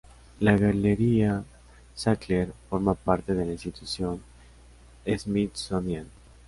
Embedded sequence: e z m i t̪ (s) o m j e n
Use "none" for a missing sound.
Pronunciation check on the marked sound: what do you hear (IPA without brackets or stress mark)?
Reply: s